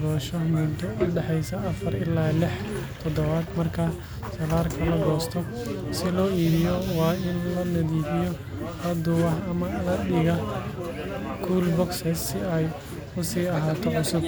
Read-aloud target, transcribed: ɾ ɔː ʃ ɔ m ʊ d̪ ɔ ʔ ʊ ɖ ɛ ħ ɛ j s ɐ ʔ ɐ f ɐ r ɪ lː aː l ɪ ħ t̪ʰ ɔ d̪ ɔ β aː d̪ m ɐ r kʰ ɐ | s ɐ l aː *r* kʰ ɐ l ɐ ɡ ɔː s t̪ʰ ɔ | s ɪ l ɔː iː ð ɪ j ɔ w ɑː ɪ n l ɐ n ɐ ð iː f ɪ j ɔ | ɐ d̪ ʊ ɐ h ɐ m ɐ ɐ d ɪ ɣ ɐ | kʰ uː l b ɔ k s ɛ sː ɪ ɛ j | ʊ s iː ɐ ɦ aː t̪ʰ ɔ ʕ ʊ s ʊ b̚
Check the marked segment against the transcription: correct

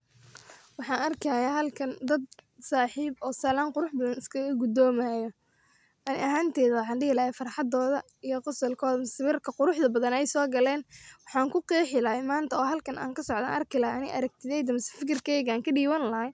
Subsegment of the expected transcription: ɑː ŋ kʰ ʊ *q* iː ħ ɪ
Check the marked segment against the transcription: correct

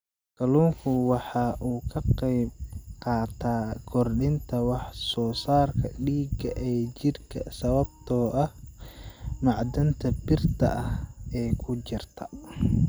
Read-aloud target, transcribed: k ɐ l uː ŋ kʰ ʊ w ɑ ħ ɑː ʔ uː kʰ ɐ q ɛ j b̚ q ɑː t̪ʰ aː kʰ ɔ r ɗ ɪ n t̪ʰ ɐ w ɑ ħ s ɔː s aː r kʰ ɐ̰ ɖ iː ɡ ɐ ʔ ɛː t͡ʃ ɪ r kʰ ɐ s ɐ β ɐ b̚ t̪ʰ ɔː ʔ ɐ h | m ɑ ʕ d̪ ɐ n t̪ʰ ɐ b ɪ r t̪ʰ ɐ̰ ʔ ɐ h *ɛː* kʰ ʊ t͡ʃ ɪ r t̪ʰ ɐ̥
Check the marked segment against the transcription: correct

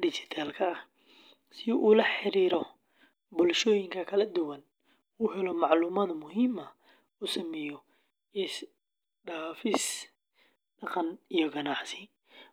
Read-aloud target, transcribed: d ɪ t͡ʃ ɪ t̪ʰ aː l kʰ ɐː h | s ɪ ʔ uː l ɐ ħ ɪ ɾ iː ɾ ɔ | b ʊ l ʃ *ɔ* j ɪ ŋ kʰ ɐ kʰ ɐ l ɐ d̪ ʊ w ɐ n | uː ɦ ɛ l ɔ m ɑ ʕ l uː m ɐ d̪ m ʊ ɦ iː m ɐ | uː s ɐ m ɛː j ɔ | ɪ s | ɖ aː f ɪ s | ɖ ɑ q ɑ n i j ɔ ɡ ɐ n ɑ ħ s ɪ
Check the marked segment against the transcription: incorrect: ɔː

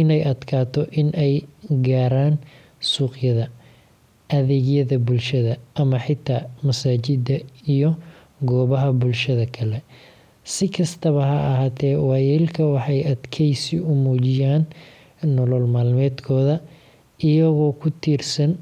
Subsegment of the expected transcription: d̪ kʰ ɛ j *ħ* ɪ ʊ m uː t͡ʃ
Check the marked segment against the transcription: incorrect: s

